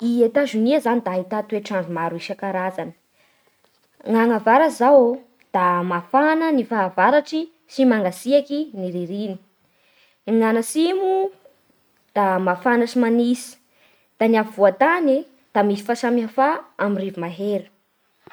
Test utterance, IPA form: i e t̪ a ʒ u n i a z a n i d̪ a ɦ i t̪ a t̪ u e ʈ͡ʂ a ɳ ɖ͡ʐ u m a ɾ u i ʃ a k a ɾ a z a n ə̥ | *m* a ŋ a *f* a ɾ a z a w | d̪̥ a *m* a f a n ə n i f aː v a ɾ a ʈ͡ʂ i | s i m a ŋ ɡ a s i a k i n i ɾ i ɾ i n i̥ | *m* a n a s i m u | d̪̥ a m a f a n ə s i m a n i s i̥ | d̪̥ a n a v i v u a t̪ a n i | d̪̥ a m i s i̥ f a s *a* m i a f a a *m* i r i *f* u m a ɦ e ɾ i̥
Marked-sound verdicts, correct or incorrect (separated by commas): incorrect, incorrect, correct, incorrect, correct, correct, incorrect